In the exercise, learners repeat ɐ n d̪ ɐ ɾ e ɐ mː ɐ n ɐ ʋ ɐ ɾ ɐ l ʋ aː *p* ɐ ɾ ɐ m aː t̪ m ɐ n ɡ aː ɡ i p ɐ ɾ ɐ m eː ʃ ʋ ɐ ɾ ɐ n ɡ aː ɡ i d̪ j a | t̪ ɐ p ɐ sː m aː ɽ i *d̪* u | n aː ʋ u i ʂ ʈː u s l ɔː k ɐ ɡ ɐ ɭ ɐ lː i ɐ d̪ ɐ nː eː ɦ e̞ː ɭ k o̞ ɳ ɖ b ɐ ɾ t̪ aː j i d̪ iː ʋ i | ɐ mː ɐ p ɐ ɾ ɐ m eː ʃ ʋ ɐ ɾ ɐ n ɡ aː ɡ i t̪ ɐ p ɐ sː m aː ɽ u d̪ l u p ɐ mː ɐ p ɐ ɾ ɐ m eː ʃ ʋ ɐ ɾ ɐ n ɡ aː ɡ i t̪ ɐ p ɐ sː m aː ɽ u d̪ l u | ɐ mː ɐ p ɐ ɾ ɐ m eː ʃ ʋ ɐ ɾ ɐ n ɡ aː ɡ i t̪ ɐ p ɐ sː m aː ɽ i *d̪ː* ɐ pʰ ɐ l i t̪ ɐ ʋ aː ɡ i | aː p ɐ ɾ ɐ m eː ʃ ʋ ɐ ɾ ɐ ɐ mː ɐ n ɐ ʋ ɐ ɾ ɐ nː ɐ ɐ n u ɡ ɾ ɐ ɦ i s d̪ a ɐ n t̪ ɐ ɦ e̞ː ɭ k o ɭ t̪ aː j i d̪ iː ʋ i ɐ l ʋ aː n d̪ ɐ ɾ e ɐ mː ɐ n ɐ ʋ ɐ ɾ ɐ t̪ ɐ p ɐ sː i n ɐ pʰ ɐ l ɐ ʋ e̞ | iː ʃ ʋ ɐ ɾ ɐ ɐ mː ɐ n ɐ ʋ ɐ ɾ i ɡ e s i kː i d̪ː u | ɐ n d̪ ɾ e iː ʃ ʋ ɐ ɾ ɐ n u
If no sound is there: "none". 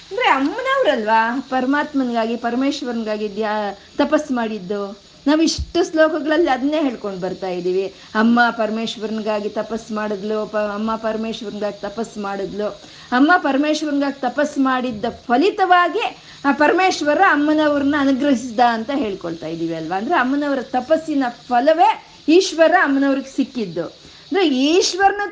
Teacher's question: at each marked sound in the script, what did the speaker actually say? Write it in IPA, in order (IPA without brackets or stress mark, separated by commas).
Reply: p, d̪ː, d̪ː